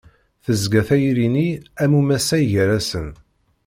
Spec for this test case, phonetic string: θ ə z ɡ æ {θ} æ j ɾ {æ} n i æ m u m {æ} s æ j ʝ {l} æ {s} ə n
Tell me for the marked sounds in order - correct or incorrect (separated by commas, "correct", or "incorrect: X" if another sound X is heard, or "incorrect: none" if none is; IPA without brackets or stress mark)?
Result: correct, incorrect: i, correct, incorrect: ɾ, correct